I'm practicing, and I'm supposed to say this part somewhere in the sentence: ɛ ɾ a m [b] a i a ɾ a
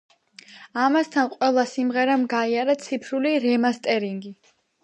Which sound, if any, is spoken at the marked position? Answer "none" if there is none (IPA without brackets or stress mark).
ɡ